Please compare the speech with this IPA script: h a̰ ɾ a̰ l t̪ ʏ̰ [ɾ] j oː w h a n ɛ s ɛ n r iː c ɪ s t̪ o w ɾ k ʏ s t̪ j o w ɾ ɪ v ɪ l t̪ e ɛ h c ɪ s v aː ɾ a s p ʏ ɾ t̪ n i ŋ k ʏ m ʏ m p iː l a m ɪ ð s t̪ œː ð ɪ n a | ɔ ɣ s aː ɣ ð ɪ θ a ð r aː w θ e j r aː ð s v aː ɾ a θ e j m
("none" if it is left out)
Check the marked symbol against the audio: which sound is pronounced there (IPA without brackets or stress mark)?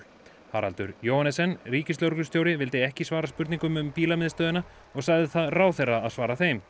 ɾ